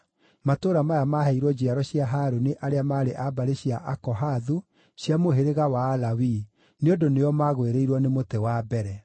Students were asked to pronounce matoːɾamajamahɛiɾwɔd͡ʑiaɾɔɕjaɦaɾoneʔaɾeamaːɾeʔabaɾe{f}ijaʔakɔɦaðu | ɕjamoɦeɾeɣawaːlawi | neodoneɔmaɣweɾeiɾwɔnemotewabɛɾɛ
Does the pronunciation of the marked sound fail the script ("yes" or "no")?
yes